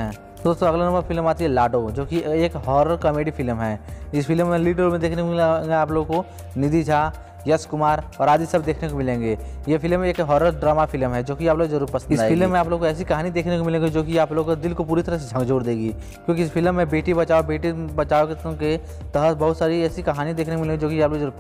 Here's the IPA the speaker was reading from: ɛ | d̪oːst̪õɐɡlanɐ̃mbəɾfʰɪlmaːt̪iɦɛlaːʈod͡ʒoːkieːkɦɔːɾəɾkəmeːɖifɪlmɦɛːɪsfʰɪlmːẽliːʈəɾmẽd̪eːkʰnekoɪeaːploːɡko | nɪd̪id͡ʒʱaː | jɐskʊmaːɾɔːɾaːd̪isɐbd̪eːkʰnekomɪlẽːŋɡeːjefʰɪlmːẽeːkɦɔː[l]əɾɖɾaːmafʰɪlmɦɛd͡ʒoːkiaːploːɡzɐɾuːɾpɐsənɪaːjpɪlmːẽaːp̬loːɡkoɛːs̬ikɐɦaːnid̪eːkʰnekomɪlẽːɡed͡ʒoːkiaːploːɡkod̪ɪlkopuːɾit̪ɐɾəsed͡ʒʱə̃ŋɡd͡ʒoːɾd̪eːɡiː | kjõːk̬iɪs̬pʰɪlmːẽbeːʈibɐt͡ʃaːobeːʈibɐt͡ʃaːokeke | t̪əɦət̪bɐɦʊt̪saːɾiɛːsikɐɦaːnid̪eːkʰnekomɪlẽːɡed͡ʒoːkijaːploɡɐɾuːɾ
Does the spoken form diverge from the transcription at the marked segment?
yes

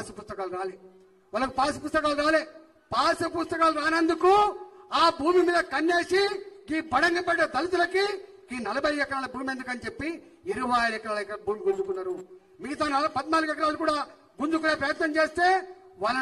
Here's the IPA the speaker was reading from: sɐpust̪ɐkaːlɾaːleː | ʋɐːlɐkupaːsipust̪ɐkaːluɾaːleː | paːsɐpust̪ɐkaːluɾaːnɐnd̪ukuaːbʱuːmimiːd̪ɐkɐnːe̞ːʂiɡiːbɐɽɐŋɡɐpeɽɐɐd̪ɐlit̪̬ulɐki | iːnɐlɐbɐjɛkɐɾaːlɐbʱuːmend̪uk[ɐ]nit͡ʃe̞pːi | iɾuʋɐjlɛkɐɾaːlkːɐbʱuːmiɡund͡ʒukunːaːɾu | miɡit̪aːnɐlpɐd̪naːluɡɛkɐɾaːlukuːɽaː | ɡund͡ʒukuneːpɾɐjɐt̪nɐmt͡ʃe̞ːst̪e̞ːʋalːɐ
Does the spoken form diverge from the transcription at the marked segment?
no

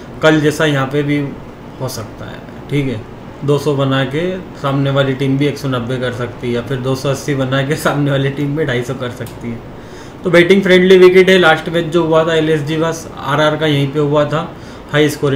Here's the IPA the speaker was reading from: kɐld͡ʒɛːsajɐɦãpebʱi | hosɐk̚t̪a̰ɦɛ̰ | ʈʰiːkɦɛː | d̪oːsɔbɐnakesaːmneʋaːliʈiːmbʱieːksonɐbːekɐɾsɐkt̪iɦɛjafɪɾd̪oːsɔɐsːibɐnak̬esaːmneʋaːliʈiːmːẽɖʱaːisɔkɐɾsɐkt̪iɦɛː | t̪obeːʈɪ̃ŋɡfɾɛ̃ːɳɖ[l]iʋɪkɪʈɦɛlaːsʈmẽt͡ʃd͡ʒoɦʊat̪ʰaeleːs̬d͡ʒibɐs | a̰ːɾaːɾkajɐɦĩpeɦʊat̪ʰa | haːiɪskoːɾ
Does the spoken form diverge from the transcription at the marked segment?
no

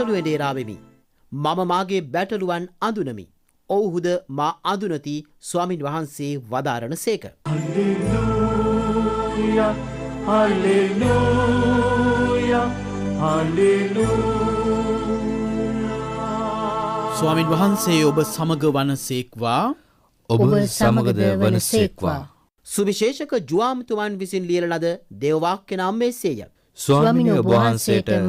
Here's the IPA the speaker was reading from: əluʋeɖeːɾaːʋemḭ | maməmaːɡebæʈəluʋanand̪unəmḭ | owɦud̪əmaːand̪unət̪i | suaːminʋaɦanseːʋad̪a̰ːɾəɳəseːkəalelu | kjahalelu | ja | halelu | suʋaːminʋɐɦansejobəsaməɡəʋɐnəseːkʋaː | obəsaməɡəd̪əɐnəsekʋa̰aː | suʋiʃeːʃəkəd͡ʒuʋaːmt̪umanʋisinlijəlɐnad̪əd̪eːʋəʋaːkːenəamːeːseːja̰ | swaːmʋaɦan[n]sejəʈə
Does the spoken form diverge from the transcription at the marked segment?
no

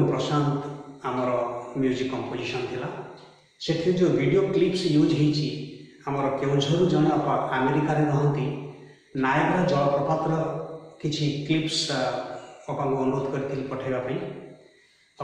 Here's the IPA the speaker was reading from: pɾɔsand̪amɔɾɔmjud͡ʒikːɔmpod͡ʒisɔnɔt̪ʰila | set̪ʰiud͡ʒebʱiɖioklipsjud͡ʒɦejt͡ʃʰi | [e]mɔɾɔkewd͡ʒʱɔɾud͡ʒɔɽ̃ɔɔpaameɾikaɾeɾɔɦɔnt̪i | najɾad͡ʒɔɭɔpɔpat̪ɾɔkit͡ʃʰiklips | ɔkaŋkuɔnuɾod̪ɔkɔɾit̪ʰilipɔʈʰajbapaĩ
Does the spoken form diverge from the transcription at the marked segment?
yes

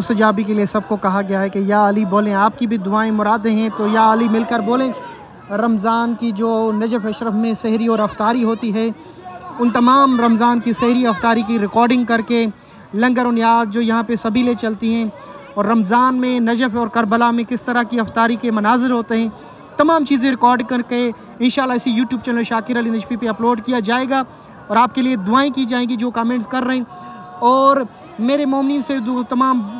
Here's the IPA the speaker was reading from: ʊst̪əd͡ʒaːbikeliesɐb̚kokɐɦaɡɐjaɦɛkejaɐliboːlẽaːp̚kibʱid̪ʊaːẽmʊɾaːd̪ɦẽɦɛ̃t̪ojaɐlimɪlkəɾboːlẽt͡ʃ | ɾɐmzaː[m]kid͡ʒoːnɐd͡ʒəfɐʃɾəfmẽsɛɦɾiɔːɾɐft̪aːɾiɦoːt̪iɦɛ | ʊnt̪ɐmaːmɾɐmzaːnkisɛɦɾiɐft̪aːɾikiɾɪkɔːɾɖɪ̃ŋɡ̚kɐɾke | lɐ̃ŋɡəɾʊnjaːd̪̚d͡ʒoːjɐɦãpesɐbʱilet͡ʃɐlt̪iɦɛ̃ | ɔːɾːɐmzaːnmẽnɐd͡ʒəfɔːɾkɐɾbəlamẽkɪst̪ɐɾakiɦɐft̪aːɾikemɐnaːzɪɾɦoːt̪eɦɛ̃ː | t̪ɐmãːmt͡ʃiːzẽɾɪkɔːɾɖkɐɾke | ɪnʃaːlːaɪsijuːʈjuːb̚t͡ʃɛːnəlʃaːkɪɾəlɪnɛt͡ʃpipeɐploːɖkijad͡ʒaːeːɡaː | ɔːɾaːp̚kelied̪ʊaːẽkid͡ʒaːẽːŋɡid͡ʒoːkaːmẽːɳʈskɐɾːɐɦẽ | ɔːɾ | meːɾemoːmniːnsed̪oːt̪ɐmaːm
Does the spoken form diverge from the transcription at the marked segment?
yes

